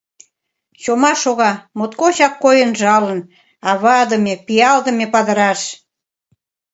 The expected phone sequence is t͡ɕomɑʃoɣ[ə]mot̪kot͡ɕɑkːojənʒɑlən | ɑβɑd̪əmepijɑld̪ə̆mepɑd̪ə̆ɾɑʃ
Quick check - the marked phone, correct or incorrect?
incorrect